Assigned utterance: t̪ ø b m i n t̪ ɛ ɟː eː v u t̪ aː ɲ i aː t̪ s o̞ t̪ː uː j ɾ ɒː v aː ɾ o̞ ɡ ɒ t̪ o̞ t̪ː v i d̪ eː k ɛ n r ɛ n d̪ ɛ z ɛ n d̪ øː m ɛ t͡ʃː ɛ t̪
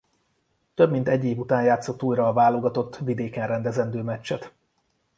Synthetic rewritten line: t̪ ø b m i n t̪ ɛ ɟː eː v u t̪ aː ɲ j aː t̪ s o̞ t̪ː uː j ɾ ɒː v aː l o̞ ɡ ɒ t̪ o̞ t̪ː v i d̪ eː k ɛ n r ɛ n d̪ ɛ z ɛ n d̪ øː m ɛ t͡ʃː ɛ t̪